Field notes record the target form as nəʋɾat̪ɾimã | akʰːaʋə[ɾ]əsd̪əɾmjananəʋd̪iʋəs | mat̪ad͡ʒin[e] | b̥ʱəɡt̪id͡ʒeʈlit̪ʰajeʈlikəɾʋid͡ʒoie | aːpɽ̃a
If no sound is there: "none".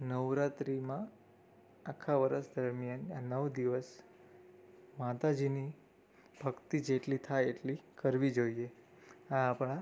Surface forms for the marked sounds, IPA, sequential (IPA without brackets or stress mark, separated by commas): ɾ, i